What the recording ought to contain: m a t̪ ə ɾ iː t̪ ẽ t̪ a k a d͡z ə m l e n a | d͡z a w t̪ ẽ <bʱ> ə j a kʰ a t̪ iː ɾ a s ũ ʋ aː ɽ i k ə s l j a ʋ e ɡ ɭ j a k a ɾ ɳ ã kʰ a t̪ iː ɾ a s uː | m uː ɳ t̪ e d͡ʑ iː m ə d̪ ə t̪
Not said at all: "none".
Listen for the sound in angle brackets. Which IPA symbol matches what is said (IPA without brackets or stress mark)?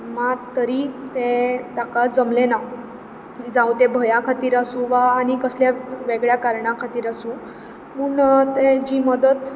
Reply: bʱ